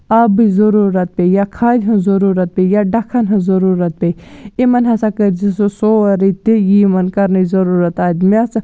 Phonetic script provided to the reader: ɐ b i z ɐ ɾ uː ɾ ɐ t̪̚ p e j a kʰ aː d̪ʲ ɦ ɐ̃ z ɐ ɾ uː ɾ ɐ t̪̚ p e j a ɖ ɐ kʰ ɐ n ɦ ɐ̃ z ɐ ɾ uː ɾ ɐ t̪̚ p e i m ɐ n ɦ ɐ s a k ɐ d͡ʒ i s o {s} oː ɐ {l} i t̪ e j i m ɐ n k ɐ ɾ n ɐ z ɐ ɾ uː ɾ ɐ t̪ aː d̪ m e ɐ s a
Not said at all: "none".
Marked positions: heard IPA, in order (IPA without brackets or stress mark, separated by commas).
s, ɾ